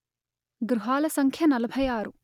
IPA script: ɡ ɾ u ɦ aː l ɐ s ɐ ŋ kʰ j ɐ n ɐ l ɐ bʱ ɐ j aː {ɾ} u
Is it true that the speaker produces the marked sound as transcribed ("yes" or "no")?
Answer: yes